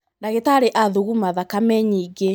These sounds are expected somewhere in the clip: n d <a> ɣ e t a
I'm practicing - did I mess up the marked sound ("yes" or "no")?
no